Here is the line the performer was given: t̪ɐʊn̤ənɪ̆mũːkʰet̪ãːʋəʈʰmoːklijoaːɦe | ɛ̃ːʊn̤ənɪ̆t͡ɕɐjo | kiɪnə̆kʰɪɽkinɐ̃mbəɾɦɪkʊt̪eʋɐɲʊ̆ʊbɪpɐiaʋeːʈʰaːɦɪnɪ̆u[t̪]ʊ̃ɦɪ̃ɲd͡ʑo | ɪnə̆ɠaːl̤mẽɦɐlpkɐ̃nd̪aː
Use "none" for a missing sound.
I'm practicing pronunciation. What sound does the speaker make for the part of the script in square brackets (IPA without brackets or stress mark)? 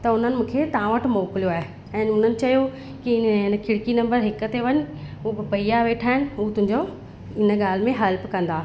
t̪